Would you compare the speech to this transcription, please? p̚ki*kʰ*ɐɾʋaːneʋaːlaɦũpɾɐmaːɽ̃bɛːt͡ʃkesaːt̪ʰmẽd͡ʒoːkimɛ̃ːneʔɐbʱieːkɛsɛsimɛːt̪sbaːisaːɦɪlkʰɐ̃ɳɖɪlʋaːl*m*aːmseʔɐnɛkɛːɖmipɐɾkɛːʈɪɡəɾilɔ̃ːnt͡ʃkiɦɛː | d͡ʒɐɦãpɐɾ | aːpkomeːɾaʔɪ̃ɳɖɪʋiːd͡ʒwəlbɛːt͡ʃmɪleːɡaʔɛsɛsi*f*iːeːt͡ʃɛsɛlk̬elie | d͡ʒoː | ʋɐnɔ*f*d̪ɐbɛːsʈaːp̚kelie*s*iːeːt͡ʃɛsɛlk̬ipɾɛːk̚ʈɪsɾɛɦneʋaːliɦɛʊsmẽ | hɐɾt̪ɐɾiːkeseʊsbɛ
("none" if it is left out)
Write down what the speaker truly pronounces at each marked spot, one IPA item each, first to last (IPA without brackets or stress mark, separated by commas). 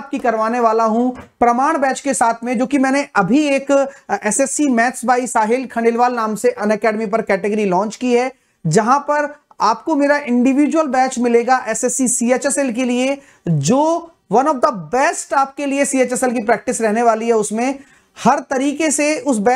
k, n, s, f, s